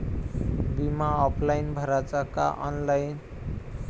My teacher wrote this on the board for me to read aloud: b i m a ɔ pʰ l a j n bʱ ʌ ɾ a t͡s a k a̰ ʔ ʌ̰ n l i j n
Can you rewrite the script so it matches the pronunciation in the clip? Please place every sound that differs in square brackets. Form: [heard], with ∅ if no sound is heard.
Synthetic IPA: b i m a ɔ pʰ l a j n bʱ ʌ ɾ a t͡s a k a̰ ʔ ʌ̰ n l [a] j n